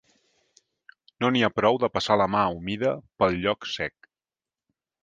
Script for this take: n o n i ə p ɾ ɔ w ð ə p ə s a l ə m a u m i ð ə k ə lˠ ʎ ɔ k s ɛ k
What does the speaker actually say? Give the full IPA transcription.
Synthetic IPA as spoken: n o n i a p ɾ ɔ w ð ə p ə s a l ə m a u m i ð ə p ə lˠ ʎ ɔ k s ɛ k